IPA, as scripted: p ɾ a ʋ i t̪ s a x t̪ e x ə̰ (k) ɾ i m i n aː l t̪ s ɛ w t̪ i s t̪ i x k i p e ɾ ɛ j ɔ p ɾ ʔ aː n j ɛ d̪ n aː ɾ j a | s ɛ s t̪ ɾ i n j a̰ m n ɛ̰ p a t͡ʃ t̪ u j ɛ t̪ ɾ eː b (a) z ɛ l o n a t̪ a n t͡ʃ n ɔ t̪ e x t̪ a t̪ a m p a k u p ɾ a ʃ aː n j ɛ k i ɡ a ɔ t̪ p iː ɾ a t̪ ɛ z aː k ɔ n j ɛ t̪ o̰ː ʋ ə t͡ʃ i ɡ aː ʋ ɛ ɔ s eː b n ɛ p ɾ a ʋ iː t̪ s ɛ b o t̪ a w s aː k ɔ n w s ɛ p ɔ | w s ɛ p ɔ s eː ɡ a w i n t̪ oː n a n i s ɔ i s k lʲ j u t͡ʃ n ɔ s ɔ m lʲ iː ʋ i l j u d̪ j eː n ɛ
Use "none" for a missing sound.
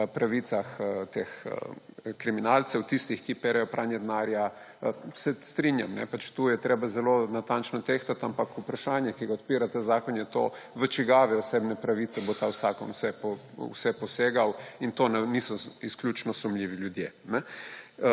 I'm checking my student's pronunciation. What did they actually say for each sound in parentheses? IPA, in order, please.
k, a

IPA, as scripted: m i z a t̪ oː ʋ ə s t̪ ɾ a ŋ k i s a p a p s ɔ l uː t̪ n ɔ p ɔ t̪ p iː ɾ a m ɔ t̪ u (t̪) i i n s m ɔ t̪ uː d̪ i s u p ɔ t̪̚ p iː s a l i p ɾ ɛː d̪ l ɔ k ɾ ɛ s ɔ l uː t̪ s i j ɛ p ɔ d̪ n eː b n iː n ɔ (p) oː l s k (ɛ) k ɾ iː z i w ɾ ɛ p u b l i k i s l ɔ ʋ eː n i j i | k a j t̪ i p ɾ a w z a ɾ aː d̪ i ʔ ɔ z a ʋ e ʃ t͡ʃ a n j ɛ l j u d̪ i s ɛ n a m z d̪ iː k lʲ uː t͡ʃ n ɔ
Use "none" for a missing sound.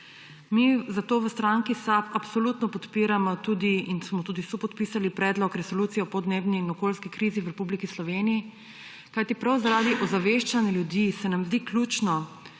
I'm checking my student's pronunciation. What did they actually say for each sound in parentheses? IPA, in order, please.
d̪, k, i

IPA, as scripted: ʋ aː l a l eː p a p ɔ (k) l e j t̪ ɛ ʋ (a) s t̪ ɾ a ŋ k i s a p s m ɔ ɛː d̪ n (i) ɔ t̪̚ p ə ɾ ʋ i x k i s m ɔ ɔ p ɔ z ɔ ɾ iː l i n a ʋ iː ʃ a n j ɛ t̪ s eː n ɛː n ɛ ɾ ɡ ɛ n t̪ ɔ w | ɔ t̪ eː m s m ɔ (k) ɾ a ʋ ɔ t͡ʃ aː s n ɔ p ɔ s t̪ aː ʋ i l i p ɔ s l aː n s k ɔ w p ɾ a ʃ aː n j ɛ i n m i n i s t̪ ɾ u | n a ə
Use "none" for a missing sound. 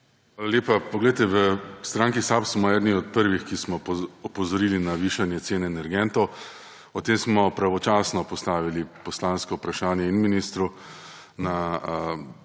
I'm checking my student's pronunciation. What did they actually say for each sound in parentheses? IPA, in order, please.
ɡ, ə, i, p

